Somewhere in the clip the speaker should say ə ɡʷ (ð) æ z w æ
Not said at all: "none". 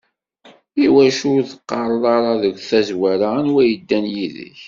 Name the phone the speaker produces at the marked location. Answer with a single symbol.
θ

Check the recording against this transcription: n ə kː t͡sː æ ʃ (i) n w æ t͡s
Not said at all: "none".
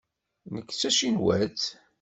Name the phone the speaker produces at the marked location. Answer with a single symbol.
i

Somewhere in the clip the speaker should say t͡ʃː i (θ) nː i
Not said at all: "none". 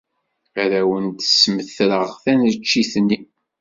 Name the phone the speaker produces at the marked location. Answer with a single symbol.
θ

